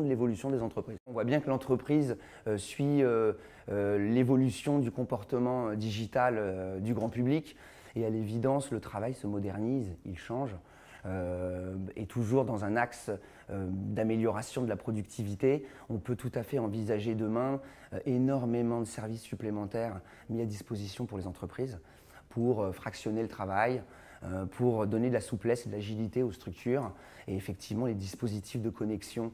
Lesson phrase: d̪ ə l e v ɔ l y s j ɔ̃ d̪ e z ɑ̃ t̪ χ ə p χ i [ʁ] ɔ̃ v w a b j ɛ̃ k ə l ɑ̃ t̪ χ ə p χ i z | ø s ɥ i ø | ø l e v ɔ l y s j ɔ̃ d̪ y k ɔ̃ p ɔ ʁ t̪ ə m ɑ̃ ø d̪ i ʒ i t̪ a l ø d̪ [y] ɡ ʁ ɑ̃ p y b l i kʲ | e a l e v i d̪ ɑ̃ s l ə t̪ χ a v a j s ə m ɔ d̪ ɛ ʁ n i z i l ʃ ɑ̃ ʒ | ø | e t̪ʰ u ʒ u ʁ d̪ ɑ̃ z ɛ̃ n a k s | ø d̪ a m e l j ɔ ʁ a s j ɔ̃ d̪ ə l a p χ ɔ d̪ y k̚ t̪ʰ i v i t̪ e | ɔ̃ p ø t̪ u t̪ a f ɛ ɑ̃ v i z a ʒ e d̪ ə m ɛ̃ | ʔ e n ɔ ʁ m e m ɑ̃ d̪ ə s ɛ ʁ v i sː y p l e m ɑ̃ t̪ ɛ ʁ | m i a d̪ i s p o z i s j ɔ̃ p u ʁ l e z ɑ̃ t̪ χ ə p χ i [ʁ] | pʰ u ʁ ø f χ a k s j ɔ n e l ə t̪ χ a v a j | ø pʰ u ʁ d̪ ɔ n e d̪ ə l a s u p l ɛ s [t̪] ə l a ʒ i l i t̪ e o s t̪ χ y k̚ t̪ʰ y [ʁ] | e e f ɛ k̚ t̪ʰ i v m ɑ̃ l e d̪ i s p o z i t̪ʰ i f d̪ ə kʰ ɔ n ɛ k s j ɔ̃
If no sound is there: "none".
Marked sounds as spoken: z, y, z, d̪, ʁ

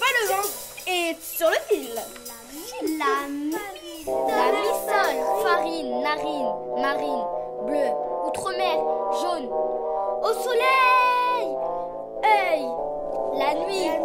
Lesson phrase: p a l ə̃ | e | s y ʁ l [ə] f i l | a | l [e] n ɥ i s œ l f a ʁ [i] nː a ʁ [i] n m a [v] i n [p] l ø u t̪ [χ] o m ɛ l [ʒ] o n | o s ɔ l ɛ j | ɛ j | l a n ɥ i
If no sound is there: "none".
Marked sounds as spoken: ə, a, i, i, ʁ, b, χ, ʒ

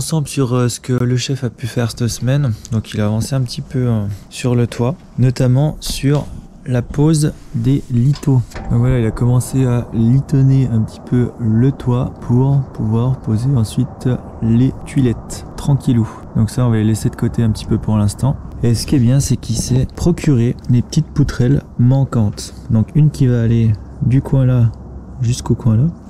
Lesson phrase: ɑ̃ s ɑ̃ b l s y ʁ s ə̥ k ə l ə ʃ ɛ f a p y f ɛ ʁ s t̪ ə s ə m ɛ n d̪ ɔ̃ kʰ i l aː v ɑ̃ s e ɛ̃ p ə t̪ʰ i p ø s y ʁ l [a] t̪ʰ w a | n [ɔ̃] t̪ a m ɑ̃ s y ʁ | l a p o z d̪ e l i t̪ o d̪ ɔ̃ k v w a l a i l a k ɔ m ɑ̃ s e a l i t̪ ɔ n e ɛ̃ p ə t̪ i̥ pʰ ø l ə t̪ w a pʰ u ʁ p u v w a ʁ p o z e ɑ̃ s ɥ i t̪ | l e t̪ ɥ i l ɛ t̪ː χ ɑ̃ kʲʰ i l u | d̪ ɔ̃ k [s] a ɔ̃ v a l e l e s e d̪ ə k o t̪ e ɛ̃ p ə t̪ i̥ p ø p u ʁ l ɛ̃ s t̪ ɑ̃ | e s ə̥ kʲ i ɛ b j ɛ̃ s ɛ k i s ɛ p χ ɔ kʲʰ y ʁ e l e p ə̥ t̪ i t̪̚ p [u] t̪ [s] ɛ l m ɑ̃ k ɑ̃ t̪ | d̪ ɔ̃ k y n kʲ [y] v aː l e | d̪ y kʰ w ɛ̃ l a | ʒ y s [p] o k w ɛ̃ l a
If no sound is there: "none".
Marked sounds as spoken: ə, ɔ, s, u, χ, i, k

